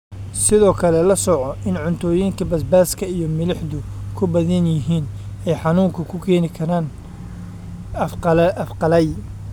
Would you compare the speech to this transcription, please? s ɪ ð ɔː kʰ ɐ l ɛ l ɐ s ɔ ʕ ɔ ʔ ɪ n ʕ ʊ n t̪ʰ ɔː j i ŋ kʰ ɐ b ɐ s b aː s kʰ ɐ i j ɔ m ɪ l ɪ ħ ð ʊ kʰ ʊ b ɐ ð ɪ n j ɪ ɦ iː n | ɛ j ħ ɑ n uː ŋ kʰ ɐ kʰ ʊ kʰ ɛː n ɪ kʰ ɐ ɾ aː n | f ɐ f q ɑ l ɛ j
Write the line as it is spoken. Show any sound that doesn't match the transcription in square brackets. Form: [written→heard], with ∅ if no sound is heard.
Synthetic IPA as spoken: s ɪ ð ɔː kʰ ɐ l ɛ l ɐ s ɔ ʕ ɔ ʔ ɪ n ʕ ʊ n t̪ʰ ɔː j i ŋ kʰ ɐ b ɐ s b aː s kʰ ɐ i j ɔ m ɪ l ɪ ħ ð ʊ kʰ ʊ b ɐ ð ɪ n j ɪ ɦ iː n | ɛ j ħ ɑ n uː ŋ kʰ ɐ kʰ ʊ kʰ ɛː n ɪ kʰ ɐ ɾ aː n | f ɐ f q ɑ l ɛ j